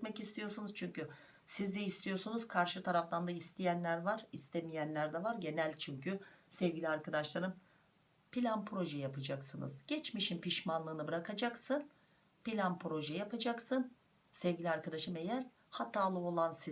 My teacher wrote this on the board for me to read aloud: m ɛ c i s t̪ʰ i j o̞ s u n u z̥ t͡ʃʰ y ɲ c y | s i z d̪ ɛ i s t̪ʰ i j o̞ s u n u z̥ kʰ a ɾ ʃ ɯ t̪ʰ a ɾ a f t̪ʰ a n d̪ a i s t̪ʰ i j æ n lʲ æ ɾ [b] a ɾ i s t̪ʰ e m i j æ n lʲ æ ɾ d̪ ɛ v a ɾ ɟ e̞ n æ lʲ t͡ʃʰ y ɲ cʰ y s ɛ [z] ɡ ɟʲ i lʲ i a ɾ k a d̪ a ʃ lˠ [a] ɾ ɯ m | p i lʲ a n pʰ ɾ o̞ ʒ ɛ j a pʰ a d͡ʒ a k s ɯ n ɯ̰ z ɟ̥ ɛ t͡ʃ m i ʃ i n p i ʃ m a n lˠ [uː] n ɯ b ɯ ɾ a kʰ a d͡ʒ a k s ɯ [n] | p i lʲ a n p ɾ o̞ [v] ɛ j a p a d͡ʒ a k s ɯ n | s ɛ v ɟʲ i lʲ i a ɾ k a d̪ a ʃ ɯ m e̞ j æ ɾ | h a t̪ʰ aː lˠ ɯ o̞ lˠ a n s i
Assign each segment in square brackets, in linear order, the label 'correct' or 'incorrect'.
incorrect: v, incorrect: v, correct, incorrect: ɯː, correct, incorrect: ʒ

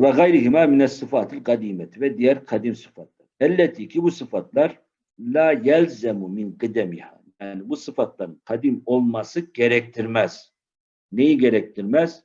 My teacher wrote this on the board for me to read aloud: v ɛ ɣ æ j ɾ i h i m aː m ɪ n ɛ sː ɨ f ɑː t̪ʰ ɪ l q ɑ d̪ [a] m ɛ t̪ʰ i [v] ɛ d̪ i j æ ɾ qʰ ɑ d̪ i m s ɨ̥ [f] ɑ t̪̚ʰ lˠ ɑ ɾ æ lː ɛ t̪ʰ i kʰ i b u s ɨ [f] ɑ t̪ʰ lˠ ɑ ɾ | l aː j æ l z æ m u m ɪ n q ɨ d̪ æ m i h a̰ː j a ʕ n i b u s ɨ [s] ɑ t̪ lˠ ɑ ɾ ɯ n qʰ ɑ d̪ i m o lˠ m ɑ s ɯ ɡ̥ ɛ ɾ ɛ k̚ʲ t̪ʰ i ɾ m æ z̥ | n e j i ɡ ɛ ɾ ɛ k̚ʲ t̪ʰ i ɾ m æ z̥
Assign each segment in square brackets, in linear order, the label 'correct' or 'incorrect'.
incorrect: i, correct, correct, correct, incorrect: f

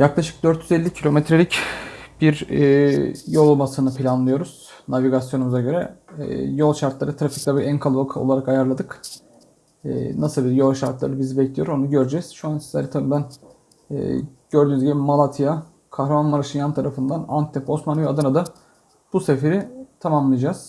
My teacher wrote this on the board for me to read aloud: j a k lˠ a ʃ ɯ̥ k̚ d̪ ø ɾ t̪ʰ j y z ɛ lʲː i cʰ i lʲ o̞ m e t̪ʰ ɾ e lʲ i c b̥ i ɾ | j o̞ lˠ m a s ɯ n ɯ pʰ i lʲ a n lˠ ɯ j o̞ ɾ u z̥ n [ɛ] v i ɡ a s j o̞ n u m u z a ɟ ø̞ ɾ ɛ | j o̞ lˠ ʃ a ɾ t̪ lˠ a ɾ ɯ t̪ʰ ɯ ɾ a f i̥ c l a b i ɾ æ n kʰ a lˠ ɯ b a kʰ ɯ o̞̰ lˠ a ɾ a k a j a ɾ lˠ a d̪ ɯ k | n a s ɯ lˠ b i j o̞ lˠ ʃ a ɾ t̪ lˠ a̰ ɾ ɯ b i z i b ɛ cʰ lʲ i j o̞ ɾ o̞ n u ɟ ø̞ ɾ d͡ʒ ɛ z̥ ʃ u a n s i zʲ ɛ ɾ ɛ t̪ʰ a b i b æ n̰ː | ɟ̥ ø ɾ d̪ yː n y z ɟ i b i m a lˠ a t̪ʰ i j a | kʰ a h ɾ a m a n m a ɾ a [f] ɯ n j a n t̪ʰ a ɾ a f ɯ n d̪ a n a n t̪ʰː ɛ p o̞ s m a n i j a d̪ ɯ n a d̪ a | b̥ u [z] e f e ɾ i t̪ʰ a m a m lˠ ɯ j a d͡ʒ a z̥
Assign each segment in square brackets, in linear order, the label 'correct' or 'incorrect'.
incorrect: a, incorrect: ʃ, incorrect: s

